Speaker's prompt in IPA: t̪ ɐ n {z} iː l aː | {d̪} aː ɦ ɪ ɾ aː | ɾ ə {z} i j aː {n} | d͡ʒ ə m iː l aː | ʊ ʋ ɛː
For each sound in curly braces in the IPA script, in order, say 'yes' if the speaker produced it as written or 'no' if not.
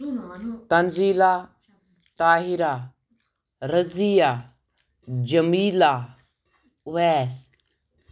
yes, no, yes, no

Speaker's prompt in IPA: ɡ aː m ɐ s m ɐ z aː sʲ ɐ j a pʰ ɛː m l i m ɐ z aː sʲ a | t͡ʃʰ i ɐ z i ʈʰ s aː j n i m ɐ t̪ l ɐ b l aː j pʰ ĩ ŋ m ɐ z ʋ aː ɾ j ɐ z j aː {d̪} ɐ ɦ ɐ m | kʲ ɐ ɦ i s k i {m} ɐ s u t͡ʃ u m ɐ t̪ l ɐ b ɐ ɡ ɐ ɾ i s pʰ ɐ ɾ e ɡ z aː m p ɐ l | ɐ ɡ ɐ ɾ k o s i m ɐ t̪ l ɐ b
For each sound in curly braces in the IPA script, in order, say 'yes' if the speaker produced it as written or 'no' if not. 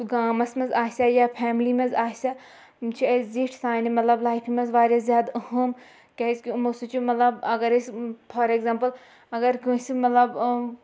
yes, yes

